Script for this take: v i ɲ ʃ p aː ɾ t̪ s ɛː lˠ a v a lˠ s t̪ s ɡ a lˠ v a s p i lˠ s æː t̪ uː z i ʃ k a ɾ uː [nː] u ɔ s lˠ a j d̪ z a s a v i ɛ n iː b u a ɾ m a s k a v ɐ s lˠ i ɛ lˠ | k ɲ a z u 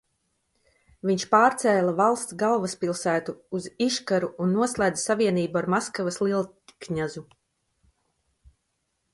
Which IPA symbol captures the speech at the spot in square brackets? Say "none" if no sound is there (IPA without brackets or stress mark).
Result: nː